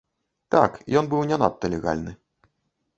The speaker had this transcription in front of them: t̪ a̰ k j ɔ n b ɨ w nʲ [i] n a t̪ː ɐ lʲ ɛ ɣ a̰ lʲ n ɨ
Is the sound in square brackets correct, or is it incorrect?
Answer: incorrect